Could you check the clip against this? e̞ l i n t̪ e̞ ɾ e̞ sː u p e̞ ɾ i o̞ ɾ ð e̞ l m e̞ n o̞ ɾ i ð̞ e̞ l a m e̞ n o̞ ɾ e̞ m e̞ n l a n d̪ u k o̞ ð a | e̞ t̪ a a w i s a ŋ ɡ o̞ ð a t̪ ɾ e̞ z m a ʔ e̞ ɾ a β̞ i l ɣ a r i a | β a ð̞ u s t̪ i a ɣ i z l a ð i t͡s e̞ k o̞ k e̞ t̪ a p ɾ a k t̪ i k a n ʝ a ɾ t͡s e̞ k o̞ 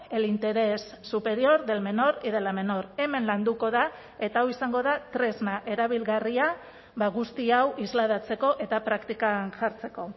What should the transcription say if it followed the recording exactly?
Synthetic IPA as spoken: e̞ l i n t̪ e̞ ɾ e̞ sː u p e̞ ɾ i o̞ ɾ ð e̞ l m e̞ n o̞ ɾ i ð̞ e̞ l a m e̞ n o̞ ɾ e̞ m e̞ n l a n d̪ u k o̞ ð a | e̞ t̪ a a w i s a ŋ ɡ o̞ ð a t̪ ɾ e̞ z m a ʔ e̞ ɾ a β̞ i l ɣ a r i a | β a ɣ̞ u s t̪ i a w i z l a ð a t͡s e̞ k o̞ ʔ e̞ t̪ a p ɾ a k t̪ i k a n ʝ a ɾ t͡s e̞ k o̞

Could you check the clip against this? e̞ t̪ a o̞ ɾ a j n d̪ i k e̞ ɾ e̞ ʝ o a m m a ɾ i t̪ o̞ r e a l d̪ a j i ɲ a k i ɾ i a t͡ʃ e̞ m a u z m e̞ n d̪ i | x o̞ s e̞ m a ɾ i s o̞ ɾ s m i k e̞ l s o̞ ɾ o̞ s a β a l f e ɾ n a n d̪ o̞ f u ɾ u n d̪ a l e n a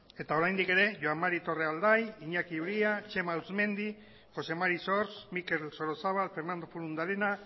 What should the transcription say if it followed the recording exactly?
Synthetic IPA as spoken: e̞ t̪ a o̞ ɾ a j n d̪ i k e̞ ɾ e̞ ʝ o a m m a ɾ i t̪ o̞ r e a l d̪ a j i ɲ a k i ɾ i a t͡ʃ e̞ m a u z m e̞ n d̪ i | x o̞ s e̞ m a ɾ i s o̞ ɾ s m i k e̞ l s o̞ ɾ o̞ s a β a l f e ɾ n a n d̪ o̞ f u ɾ u n d̪ a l e n a

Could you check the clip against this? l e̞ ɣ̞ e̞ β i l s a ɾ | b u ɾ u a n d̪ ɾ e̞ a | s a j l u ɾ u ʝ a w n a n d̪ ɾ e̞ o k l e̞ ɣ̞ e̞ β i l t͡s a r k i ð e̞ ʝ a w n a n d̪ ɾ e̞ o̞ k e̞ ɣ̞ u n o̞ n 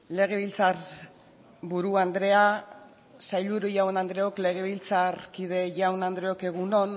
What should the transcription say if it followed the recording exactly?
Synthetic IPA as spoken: l e̞ ɣ̞ e̞ β i l t͡s a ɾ | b u ɾ u a n d̪ ɾ e̞ a | s a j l u ɾ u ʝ a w n a n d̪ ɾ e̞ o k l e̞ ɣ̞ e̞ β i l t͡s a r k i ð e̞ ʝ a w n a n d̪ ɾ e̞ o̞ k e̞ ɣ̞ u n o̞ n

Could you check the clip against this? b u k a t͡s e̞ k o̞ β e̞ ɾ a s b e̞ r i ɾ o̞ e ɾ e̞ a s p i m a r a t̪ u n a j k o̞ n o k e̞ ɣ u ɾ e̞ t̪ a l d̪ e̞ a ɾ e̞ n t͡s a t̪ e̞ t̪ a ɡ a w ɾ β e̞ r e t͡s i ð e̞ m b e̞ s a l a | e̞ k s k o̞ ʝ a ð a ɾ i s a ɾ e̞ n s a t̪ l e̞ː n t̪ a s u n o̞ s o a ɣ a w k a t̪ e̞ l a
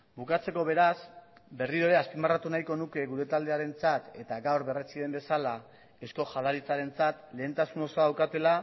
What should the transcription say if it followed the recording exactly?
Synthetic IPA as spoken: b u k a t͡s e̞ k o̞ β e̞ ɾ a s b e̞ r i ɾ o̞ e ɾ e̞ a s p i m a r a t̪ u n a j k o̞ n u k e̞ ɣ u ɾ e̞ t̪ a l d̪ e̞ a ɾ e̞ n t͡s a t̪ e̞ t̪ a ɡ a w ɾ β e̞ r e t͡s i ð e̞ m b e̞ s a l a | e̞ s k o̞ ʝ a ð a ɾ i t͡s a ɾ e̞ n t͡s a t̪ l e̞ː n t̪ a s u n o̞ s o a ð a w k a t̪ e̞ l a

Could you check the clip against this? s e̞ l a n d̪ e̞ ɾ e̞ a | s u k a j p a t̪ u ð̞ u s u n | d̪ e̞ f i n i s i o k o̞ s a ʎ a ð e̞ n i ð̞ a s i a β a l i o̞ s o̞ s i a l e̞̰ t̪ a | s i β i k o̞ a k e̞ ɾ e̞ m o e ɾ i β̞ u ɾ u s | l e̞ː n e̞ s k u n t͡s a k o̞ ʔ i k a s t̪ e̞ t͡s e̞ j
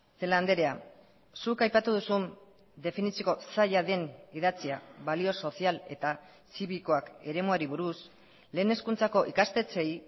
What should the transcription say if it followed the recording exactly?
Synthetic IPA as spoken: s e̞ l a n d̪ e̞ ɾ e̞ a | s u k a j p a t̪ u ð̞ u s u n | d̪ e̞ f i n i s i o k o̞ s a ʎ a ð e̞ n i ð̞ a t͡s i a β a l i o̞ s o̞ s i a l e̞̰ t̪ a | s i β i k o̞ a k e̞ ɾ e̞ m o a ɾ i β̞ u ɾ u s | l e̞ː n e̞ s k u n t͡s a k o̞ ʔ i k a s t̪ e̞ t͡s e̞ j

